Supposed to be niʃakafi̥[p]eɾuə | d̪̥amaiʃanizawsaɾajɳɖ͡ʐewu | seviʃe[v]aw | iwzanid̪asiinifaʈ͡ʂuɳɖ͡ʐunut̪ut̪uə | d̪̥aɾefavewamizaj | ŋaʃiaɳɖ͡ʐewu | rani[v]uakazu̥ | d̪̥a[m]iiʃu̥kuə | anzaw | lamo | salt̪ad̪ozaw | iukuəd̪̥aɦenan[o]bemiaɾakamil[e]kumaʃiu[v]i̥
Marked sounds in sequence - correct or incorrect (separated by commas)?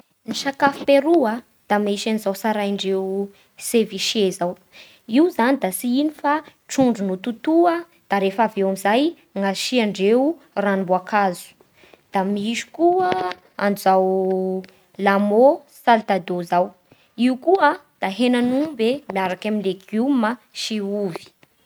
correct, incorrect, incorrect, correct, incorrect, correct, correct